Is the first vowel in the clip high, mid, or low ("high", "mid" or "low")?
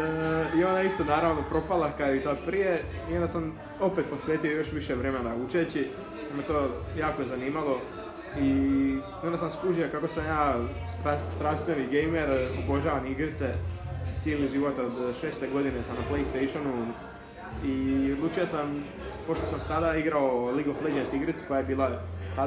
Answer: high